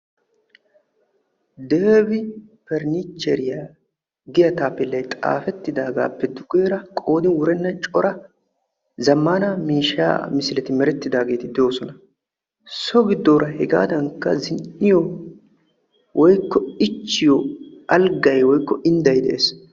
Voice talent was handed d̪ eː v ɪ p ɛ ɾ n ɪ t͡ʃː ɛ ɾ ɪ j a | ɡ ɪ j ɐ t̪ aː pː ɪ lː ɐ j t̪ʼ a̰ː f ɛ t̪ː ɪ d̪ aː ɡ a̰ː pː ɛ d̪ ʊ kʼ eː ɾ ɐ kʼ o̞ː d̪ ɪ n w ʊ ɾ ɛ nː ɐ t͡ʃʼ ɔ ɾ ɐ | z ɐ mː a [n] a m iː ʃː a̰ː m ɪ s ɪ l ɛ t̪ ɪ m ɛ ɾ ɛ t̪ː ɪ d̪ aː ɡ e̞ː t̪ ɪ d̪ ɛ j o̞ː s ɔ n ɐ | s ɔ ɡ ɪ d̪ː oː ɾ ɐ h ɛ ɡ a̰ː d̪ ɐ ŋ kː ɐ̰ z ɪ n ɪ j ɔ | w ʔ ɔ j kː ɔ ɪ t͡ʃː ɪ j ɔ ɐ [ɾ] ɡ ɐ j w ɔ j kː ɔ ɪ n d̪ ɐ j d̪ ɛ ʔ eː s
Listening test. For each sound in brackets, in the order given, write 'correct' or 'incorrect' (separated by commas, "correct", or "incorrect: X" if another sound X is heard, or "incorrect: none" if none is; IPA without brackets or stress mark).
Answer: correct, incorrect: l